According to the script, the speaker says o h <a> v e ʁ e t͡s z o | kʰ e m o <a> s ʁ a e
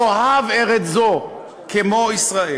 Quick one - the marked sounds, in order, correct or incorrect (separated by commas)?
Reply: correct, incorrect